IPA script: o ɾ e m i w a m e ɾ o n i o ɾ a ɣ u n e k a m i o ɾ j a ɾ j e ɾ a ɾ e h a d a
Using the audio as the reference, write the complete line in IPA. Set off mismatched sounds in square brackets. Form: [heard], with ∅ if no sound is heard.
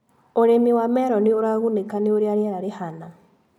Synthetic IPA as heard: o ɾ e m i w a m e ɾ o n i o ɾ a ɣ u n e k a [n] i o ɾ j a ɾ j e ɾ a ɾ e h a [n] a